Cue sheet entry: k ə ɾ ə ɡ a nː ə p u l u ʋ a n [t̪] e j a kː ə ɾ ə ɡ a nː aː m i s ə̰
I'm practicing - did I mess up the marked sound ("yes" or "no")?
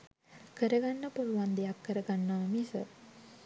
yes